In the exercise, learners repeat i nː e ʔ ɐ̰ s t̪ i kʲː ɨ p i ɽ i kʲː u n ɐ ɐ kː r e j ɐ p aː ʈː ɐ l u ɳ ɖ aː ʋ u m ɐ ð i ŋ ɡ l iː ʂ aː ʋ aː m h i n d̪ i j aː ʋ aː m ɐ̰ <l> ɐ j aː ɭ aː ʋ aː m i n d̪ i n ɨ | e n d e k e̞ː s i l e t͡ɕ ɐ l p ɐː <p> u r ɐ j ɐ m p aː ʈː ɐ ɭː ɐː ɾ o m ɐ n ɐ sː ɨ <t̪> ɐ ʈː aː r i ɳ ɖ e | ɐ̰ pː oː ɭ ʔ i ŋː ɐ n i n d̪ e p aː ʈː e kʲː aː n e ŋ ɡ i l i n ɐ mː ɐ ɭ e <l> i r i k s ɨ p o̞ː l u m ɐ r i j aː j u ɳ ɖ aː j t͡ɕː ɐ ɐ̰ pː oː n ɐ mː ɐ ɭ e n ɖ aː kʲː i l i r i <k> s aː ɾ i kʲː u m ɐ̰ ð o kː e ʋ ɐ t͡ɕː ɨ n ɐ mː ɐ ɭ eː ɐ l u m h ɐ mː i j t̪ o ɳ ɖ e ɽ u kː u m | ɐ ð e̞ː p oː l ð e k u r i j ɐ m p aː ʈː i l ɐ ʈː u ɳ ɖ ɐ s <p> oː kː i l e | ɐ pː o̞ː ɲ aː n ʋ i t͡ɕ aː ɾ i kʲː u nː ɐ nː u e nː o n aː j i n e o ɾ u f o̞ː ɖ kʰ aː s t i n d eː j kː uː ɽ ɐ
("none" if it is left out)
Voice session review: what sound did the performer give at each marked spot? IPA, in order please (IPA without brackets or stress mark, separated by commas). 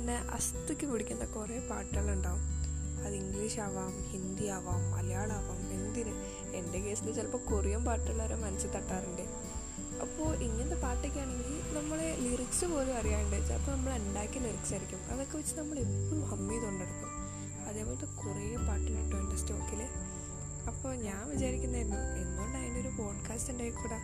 l, k, t̪, l, k, t